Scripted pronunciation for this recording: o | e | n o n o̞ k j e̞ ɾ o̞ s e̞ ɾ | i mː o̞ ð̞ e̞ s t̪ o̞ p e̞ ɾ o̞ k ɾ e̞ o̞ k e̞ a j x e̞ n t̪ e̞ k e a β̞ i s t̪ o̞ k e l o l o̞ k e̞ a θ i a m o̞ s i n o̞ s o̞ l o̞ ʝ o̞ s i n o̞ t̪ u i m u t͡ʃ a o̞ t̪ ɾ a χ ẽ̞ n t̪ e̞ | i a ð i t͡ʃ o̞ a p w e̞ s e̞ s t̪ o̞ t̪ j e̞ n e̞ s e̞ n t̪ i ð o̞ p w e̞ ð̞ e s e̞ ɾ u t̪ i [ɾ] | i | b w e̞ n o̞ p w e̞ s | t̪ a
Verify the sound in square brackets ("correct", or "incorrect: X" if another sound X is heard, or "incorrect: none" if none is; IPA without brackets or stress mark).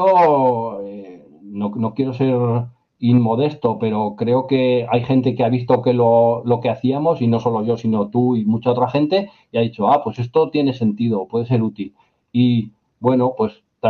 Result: incorrect: l